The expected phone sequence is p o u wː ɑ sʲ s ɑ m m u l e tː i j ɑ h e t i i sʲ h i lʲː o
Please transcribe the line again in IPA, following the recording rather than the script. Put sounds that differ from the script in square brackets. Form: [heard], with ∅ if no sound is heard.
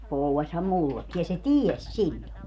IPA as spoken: p o u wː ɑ sʲ [h] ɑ m m u [lː] e [kː] i j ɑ [s] e t i [e] sʲ [s] i lʲː o